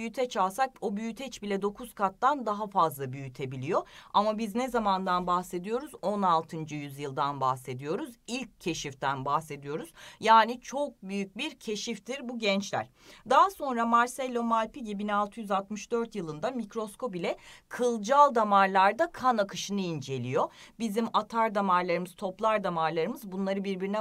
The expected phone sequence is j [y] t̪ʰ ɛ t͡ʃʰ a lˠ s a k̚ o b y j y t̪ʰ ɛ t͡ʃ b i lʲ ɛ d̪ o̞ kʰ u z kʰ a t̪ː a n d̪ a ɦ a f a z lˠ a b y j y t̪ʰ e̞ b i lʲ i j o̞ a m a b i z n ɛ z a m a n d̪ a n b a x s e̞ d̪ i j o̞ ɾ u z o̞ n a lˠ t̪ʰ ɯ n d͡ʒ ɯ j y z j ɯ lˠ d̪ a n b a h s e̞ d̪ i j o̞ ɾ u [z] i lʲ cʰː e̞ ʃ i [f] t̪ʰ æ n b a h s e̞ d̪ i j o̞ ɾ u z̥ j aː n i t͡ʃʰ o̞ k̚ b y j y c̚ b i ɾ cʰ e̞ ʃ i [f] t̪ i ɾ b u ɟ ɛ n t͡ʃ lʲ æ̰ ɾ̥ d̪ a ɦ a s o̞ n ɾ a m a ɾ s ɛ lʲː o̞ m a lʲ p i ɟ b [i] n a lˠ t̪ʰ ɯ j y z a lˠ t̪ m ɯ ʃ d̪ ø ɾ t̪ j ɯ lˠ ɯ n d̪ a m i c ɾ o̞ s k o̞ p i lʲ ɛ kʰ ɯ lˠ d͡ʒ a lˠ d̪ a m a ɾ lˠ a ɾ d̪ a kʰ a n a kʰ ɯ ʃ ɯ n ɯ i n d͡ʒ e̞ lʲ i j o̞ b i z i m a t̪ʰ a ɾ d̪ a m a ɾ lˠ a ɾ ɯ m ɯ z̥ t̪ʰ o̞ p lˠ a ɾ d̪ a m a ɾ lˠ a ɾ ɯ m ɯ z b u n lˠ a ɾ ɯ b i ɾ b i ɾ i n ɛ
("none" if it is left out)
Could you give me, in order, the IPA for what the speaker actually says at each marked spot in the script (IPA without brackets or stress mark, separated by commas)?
y, z, f, f, i